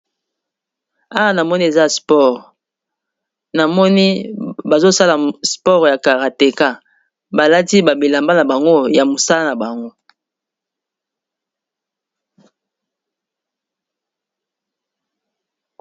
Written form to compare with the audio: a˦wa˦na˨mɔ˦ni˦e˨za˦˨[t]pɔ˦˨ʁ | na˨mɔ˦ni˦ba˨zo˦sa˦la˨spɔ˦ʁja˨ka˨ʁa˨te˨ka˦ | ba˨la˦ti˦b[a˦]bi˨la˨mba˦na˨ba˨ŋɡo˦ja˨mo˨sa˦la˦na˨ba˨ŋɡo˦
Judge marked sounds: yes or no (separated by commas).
no, no